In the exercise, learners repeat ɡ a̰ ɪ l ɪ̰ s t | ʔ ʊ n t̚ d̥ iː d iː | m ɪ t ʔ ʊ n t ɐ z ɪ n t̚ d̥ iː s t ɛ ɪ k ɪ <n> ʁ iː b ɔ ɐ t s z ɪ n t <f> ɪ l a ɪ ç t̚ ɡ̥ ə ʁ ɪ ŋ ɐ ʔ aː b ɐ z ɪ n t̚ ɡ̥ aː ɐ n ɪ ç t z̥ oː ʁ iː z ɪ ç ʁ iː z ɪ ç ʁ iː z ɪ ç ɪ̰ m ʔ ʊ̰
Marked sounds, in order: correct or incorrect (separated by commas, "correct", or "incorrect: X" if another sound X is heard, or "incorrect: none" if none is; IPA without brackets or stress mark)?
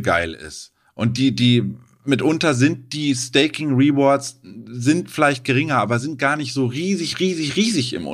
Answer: incorrect: ŋ, correct